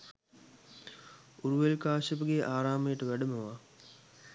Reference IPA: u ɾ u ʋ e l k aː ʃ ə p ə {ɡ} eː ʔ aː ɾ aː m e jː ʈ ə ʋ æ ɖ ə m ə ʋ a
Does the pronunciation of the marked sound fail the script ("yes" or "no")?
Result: no